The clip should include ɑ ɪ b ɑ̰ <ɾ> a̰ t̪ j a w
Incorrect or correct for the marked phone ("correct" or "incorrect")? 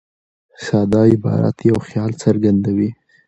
correct